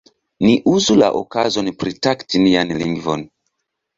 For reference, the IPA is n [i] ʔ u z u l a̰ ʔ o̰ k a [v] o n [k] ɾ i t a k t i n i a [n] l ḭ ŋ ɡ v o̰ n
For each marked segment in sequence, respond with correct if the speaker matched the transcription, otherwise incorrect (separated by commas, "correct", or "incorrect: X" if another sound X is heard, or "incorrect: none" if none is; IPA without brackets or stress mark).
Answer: correct, incorrect: z, incorrect: p, correct